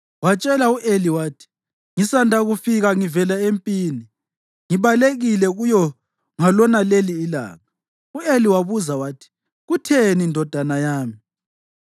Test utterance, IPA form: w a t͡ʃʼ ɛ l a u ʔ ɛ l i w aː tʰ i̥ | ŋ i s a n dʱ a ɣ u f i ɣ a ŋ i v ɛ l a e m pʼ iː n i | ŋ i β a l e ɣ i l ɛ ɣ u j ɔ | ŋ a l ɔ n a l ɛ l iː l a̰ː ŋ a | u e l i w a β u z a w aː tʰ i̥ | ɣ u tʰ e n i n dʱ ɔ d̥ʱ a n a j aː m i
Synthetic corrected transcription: w a t͡ʃʼ ɛ l a u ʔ e l i w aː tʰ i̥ | ŋ i s a n dʱ a ɣ u f i ɣ a ŋ i v ɛ l a e m pʼ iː n i | ŋ i β a l e ɣ i l ɛ ɣ u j ɔ | ŋ a l ɔ n a l e l iː l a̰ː ŋ a | u e l i w a β u z a w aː tʰ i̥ | ɣ u tʰ e n i n dʱ ɔ d̥ʱ a n a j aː m i